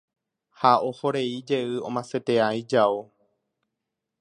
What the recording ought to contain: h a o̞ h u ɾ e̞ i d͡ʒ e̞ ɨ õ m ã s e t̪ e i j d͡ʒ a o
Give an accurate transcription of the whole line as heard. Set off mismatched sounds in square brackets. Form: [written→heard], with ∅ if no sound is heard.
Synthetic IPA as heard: h a o̞ h [u→o] ɾ e̞ i d͡ʒ e̞ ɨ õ m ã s e t̪ e [i→a] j d͡ʒ a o

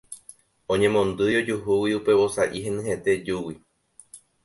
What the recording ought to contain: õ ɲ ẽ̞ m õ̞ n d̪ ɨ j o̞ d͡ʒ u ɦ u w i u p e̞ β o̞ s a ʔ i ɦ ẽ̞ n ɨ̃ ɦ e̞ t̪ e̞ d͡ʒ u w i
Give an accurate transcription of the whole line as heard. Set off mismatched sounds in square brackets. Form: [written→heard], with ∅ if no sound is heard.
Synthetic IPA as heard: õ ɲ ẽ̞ m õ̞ n d̪ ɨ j o̞ d͡ʒ u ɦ u w i u p e̞ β o̞ s a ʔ i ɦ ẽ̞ n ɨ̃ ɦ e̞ t̪ e̞ d͡ʒ u w i

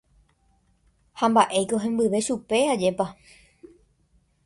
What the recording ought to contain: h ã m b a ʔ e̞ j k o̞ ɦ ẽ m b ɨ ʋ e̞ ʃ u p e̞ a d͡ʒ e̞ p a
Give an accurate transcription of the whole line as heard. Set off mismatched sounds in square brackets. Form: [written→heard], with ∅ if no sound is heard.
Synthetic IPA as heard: h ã m b a ʔ e̞ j k o̞ ɦ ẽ m b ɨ ʋ e̞ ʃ u p e̞ a d͡ʒ e̞ p a

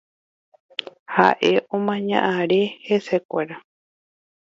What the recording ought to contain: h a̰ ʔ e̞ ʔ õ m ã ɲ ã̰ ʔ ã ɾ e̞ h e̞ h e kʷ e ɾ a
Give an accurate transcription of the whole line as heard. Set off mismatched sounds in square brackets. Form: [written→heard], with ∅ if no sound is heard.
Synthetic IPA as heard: h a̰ ʔ e̞ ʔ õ m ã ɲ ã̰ ʔ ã ɾ e̞ h e̞ [h→s] e kʷ e ɾ a

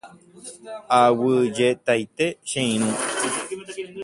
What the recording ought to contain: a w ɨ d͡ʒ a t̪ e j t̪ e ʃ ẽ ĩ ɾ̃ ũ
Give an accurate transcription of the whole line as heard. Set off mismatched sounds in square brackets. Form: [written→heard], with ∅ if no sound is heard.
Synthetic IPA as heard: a w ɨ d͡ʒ [a→e] t̪ [e→a] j t̪ e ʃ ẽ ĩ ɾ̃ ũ

